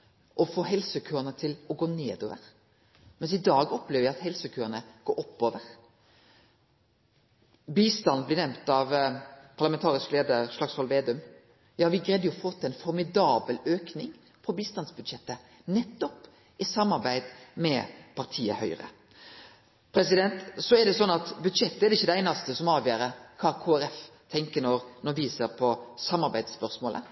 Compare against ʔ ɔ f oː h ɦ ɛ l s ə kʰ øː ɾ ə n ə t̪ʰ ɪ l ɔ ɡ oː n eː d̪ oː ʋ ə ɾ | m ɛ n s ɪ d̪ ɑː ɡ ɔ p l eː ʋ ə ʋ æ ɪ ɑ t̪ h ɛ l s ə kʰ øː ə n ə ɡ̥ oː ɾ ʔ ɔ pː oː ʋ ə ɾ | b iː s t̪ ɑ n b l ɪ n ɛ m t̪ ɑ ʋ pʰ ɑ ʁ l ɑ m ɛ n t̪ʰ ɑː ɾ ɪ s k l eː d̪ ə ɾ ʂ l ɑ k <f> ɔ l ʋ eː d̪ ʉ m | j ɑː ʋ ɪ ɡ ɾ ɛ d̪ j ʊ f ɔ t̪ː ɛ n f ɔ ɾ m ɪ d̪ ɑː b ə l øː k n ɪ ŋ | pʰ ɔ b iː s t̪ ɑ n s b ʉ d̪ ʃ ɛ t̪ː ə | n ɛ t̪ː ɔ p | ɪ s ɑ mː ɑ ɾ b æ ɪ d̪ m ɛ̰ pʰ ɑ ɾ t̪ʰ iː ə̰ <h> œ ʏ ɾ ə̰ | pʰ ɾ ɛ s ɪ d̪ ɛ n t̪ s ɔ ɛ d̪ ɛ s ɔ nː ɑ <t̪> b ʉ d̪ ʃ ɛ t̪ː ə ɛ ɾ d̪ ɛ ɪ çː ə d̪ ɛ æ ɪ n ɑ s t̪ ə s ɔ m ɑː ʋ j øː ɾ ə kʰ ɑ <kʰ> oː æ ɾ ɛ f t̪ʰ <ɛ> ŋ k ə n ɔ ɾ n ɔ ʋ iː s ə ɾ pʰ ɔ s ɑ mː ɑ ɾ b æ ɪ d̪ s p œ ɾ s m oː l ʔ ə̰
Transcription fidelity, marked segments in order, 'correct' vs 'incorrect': incorrect: s, correct, correct, correct, correct

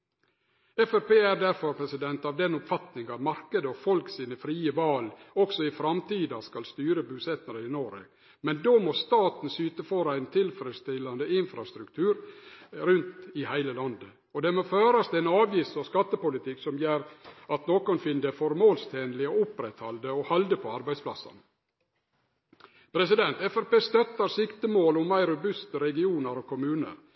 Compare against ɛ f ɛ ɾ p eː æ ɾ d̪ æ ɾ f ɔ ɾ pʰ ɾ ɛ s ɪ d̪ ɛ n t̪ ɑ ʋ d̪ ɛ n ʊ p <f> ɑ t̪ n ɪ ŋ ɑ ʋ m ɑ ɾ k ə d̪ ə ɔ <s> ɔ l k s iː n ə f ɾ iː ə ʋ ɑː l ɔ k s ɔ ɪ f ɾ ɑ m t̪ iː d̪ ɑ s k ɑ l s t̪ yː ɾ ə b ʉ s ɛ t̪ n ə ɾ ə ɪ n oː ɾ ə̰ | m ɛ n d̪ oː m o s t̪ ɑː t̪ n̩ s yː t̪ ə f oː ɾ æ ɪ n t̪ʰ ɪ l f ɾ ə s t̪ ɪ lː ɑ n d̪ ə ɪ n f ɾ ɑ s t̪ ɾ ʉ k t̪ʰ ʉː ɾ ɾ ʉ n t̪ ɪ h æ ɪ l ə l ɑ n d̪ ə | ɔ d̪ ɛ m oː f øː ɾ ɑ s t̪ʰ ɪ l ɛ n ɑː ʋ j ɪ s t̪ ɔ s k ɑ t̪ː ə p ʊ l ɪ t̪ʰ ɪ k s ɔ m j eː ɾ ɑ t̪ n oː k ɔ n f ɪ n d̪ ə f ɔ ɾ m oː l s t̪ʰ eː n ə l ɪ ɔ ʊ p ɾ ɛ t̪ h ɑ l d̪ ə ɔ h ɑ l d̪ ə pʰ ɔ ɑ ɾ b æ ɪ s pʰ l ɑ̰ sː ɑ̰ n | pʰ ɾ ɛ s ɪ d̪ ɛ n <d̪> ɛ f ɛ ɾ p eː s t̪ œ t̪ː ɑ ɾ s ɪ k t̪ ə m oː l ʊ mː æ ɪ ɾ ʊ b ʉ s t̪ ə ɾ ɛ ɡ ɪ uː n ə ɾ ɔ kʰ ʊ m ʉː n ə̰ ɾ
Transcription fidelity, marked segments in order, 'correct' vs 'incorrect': correct, incorrect: f, incorrect: t̪

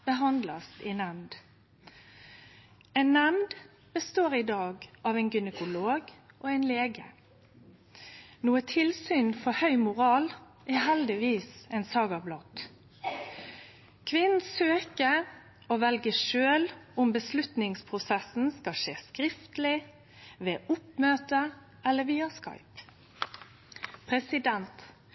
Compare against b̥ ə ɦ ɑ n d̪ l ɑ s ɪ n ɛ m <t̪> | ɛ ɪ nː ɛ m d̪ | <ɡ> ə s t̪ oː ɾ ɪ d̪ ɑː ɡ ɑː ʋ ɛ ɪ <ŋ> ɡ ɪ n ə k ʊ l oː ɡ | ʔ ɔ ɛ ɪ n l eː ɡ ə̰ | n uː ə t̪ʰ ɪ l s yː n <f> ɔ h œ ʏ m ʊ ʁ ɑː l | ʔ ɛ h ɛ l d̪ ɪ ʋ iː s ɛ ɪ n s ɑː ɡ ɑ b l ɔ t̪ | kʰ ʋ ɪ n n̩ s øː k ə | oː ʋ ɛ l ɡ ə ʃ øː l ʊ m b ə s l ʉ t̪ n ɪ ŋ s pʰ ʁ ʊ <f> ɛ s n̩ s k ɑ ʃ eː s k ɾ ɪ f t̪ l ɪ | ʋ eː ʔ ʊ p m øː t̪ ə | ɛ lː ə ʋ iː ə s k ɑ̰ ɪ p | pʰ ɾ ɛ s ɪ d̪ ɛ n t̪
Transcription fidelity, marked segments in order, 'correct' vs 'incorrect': incorrect: d̪, incorrect: b, incorrect: n, correct, incorrect: s

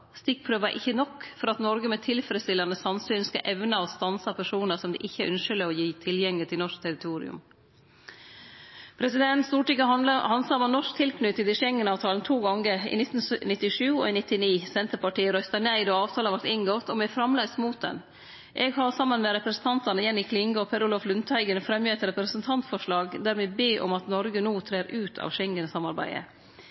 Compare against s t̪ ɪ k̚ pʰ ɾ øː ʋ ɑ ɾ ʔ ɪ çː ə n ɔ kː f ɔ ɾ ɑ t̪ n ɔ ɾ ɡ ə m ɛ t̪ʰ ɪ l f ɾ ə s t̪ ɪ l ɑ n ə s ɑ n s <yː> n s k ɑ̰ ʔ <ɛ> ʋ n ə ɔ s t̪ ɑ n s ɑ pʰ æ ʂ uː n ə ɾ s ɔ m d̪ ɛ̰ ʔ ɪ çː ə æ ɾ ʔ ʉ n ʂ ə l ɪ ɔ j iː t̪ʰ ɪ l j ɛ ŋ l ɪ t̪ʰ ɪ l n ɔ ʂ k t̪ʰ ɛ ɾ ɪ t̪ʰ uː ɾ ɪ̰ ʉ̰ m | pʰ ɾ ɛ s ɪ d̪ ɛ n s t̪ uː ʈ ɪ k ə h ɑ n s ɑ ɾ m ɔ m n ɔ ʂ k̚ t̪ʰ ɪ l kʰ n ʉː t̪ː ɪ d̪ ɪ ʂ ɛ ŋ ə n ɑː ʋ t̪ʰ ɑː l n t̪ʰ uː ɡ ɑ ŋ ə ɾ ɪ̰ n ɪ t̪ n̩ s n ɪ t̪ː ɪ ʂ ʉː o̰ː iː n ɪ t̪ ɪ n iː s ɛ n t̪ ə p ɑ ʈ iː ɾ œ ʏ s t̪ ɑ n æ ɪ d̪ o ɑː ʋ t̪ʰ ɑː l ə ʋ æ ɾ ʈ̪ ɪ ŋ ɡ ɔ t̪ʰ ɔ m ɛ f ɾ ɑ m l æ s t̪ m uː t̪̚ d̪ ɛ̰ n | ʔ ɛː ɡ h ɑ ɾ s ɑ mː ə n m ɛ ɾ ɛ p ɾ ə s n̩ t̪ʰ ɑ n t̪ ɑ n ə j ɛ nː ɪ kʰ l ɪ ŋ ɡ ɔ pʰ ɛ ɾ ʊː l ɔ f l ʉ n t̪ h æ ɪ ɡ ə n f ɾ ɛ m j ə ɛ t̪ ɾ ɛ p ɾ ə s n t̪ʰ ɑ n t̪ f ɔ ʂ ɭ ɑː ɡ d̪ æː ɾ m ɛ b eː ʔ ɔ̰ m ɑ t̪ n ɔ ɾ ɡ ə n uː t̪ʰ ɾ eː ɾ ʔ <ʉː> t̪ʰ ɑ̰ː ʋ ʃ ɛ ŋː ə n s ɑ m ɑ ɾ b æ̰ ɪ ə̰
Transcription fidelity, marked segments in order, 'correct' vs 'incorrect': correct, correct, correct

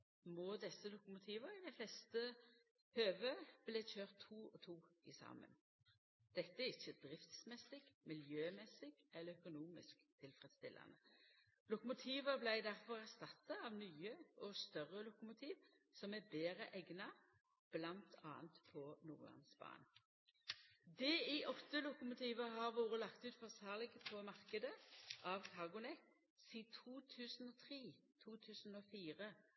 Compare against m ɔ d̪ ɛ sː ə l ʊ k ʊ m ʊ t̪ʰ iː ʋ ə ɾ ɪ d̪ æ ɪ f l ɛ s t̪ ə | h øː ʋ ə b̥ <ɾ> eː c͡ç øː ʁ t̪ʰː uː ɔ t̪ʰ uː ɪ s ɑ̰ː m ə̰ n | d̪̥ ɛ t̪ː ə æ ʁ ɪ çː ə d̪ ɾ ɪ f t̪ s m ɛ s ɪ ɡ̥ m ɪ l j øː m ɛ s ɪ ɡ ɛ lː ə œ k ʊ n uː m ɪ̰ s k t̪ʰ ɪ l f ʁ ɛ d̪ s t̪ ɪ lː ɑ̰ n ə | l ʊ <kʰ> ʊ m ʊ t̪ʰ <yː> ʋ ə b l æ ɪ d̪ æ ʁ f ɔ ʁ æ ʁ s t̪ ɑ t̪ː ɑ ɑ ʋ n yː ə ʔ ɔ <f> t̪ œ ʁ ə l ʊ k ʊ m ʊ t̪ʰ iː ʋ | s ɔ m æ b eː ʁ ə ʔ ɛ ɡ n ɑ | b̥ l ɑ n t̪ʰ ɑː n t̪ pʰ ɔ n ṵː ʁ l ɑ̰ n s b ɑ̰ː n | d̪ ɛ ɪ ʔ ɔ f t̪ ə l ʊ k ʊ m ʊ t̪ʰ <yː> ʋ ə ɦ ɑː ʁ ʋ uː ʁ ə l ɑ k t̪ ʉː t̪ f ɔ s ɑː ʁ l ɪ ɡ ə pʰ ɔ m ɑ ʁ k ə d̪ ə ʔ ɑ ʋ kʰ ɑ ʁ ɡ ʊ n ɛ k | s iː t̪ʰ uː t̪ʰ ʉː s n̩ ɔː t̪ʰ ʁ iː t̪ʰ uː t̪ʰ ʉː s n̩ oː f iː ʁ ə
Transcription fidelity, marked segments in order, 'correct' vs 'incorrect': incorrect: l, incorrect: k, incorrect: iː, incorrect: s, incorrect: iː

